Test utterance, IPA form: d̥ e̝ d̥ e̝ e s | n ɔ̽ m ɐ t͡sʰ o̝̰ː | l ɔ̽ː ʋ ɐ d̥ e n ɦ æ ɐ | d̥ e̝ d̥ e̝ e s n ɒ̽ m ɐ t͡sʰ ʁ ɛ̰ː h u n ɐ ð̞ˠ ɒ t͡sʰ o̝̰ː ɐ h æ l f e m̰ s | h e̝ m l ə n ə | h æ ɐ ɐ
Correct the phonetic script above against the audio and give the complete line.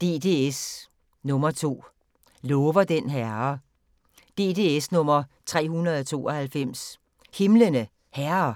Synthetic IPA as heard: d̥ e̝ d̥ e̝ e s | n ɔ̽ m ɐ t͡sʰ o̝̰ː | l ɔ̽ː ʋ ɐ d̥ e n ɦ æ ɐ | d̥ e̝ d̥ e̝ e s n ɔ̽ m ɐ t͡sʰ ʁ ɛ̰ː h u n ɐ ð̞ˠ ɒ t͡sʰ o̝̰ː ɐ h æ l f e m̰ s | h e̝ m l ə n ə | h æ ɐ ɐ